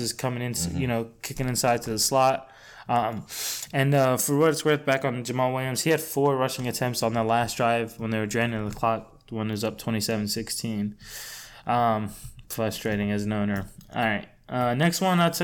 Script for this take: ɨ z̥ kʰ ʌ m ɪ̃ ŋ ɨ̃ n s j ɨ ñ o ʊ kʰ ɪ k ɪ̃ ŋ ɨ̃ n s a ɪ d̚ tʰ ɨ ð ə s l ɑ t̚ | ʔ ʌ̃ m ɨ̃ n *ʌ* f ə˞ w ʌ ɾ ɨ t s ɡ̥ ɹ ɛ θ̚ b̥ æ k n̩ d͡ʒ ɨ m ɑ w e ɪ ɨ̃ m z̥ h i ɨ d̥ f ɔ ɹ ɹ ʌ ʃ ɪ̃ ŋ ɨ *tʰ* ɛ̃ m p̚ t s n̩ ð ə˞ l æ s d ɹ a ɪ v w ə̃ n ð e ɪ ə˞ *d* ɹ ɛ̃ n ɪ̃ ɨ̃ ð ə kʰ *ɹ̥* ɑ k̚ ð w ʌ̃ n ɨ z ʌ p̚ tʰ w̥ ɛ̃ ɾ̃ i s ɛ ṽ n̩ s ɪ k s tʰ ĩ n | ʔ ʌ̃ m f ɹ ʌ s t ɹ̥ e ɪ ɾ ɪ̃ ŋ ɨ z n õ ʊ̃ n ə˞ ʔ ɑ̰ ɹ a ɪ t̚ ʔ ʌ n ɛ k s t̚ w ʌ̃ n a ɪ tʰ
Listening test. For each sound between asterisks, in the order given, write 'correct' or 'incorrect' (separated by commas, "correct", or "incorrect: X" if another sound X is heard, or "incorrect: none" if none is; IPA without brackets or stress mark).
correct, correct, correct, incorrect: l̥